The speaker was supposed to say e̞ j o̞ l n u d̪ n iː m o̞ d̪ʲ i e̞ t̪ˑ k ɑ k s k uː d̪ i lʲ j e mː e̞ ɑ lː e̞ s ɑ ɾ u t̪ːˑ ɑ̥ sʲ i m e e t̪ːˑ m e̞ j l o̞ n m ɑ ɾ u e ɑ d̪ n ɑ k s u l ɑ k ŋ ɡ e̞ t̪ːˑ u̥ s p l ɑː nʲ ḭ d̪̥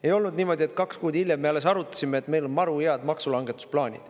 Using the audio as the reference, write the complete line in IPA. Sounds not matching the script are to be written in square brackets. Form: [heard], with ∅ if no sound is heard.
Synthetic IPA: e̞ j o̞ l n u d̪ n iː m o̞ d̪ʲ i e̞ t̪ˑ k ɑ k s k uː d̪ i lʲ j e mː e̞ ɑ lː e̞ s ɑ ɾ u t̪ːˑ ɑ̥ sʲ i m e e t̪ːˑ m e̞ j l o̞ n m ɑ ɾ u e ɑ d̪ [m] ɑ k s u l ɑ [∅] ŋ ɡ e̞ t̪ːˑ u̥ s p l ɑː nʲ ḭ d̪̥